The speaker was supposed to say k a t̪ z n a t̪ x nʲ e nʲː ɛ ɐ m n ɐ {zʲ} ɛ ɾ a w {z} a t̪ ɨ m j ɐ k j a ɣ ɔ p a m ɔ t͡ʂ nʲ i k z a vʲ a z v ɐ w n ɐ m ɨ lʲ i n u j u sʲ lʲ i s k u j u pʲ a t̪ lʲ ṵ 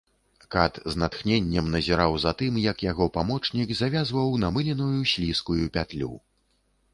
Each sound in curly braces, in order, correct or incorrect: correct, correct

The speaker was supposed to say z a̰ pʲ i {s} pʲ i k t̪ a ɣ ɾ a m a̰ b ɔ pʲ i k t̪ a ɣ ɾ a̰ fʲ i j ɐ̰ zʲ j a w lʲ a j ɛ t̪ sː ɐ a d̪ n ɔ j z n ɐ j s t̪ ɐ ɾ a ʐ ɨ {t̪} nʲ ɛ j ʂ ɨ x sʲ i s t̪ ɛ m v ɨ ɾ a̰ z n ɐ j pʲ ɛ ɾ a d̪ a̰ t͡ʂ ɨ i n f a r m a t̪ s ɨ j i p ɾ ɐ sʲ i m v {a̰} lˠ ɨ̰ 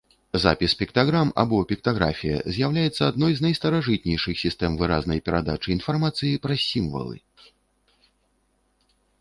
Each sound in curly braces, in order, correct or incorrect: correct, correct, incorrect

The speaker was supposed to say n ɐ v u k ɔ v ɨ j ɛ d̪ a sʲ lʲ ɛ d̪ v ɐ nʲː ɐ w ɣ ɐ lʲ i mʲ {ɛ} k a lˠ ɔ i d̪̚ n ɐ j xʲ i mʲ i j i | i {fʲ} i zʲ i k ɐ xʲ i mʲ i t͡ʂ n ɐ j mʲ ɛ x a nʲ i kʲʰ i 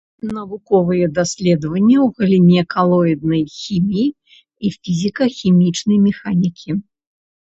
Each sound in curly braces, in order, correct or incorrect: correct, correct

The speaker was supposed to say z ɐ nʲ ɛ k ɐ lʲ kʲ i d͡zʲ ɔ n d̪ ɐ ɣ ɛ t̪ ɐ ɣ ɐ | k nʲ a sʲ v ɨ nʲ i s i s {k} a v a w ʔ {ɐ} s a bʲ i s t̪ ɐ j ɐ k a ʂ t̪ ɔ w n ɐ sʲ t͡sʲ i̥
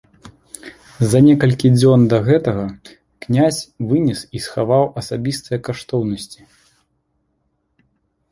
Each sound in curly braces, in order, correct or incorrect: incorrect, correct

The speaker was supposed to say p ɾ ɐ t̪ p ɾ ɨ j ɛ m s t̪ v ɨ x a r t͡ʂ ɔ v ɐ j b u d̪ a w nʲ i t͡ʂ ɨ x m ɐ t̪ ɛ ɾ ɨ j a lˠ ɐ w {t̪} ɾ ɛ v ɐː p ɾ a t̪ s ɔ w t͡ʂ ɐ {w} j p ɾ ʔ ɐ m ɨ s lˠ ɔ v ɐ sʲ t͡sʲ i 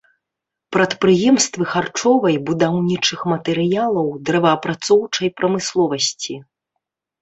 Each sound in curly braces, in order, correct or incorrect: incorrect, incorrect

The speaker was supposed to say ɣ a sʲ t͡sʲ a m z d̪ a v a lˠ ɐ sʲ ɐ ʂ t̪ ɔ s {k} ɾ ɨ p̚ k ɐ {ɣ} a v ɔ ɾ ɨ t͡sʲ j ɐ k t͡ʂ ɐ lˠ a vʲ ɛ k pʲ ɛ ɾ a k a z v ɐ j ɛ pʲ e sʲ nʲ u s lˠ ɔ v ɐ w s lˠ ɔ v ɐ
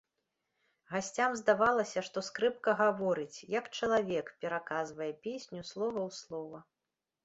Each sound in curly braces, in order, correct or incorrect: correct, correct

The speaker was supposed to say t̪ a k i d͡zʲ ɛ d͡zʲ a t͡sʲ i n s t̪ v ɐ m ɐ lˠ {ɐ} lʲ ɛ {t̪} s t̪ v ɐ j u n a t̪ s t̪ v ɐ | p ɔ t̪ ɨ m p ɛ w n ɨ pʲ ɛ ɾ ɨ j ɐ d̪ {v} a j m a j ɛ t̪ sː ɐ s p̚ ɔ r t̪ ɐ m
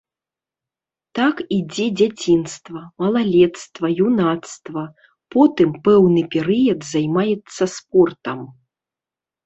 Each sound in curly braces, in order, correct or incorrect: incorrect, correct, incorrect

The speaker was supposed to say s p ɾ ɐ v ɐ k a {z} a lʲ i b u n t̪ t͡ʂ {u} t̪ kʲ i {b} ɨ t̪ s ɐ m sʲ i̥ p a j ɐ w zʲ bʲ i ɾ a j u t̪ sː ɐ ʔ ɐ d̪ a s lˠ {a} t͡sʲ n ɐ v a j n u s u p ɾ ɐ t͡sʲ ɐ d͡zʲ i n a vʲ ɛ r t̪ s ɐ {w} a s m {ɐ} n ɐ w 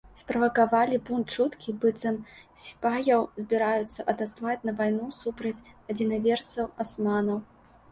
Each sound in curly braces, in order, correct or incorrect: incorrect, correct, correct, correct, correct, incorrect

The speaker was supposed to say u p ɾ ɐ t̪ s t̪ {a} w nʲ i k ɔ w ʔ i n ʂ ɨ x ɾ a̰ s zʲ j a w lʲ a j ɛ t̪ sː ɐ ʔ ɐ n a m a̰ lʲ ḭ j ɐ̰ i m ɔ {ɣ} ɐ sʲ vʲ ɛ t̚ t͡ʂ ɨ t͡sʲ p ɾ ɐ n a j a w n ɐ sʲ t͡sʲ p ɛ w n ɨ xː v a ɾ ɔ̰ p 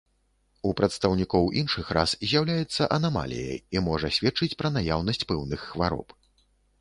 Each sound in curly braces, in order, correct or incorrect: incorrect, incorrect

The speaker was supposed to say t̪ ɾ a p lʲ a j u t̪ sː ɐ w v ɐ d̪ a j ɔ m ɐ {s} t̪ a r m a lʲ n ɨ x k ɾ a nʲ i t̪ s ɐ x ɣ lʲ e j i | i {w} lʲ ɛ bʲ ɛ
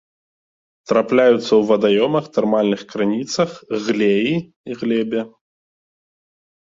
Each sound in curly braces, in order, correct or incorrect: incorrect, incorrect

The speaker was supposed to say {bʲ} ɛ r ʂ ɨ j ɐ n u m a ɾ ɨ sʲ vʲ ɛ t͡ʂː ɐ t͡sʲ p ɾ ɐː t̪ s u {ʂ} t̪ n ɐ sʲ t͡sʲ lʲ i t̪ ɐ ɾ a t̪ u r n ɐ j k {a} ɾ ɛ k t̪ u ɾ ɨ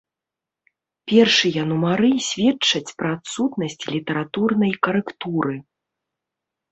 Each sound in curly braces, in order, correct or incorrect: incorrect, incorrect, incorrect

